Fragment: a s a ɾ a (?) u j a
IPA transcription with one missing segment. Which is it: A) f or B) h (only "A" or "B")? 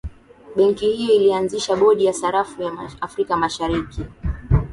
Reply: A